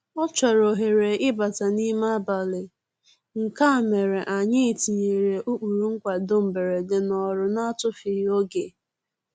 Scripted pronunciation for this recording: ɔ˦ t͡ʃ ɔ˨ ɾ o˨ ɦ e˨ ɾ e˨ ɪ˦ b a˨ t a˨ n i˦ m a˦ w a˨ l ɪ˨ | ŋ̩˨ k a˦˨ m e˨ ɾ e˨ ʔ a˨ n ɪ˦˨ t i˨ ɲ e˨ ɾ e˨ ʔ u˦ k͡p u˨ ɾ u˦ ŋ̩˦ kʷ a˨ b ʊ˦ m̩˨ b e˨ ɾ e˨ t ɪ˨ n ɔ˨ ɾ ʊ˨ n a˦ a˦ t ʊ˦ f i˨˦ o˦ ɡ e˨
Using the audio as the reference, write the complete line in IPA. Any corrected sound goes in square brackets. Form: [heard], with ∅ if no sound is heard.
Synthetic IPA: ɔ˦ t͡ʃ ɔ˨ ɾ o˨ ɦ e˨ ɾ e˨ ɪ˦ b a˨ t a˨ n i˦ m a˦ [b] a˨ l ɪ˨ | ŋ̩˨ k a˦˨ m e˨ ɾ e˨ ʔ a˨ [ɲ] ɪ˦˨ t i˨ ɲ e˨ ɾ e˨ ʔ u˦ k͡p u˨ ɾ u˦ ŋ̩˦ kʷ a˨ [d] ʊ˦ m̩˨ b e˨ ɾ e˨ [d] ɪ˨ n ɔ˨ ɾ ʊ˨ n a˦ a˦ t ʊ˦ f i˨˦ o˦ ɡ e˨